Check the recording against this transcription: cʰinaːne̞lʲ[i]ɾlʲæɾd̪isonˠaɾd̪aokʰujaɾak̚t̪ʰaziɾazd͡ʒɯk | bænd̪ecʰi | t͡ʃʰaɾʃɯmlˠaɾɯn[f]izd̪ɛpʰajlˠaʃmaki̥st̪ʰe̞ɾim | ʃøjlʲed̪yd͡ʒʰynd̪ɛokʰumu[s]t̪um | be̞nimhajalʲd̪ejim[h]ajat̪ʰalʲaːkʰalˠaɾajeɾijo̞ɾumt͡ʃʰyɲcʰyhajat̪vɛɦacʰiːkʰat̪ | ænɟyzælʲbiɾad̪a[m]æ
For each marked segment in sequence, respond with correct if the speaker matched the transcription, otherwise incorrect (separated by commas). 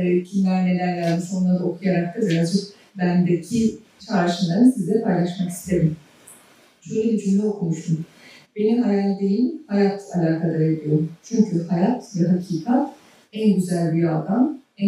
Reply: incorrect, incorrect, incorrect, correct, correct